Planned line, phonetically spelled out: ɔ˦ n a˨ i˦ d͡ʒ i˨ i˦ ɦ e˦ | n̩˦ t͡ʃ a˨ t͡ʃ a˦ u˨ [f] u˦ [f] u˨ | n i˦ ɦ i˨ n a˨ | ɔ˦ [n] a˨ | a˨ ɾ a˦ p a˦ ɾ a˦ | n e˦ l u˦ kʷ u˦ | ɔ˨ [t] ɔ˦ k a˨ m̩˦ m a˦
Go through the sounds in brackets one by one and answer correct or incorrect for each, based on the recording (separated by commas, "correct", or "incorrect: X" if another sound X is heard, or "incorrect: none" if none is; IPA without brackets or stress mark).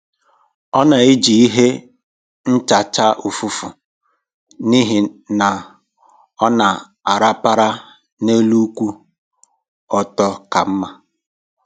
correct, correct, correct, correct